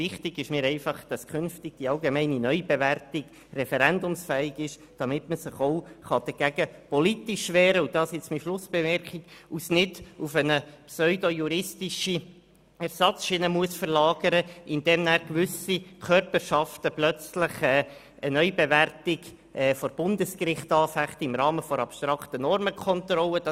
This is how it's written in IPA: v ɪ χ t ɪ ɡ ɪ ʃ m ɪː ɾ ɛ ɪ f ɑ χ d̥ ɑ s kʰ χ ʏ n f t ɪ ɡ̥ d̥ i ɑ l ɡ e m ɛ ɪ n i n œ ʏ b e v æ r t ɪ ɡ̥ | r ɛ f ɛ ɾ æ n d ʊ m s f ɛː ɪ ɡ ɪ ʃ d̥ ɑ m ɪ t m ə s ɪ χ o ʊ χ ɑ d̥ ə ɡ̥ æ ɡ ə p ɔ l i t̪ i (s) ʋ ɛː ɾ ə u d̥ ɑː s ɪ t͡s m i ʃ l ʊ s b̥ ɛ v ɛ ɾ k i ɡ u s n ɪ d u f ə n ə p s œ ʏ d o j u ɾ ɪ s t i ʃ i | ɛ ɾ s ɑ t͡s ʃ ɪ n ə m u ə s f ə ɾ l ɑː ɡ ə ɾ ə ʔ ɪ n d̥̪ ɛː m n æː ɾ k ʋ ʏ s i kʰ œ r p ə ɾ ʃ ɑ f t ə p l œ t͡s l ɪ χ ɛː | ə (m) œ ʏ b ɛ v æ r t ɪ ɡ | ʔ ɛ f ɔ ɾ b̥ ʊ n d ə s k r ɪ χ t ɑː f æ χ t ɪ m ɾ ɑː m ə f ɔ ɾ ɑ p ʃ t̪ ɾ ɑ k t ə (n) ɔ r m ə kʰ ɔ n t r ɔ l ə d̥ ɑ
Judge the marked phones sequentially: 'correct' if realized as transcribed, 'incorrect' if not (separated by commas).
incorrect, incorrect, correct